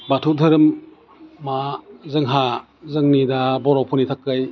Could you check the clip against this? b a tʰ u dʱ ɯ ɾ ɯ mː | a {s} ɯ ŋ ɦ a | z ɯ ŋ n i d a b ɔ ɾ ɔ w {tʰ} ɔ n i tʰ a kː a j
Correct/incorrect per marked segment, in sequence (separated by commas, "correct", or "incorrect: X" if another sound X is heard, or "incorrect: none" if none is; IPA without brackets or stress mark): incorrect: z, incorrect: pʰ